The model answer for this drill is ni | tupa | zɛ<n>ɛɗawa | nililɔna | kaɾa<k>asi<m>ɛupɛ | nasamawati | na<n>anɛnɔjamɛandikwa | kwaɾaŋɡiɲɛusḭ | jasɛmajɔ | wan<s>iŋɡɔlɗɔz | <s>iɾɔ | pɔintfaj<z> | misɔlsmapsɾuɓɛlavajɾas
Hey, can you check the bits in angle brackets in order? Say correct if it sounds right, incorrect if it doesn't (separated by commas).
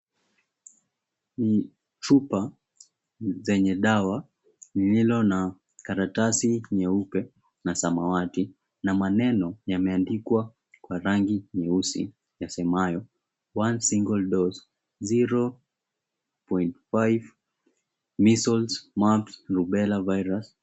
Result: incorrect, incorrect, incorrect, incorrect, correct, incorrect, incorrect